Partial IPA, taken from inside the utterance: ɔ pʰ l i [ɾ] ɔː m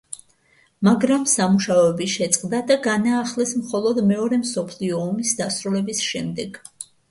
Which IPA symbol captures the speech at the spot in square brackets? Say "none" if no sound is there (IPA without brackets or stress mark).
none